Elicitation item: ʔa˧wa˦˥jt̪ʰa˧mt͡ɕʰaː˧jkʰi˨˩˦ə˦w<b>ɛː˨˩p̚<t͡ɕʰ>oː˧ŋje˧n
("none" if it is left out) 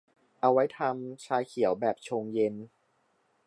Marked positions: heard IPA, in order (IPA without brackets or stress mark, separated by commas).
b, t͡ɕʰ